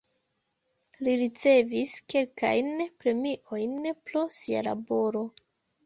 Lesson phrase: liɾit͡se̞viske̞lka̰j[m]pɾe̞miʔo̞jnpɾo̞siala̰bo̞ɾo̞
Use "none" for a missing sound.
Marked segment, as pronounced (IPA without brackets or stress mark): n